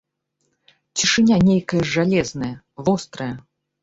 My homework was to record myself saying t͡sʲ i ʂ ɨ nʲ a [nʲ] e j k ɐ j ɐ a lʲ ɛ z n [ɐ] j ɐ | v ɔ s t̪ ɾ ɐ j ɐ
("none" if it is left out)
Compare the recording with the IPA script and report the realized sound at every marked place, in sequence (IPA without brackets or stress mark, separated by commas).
nʲ, ɐ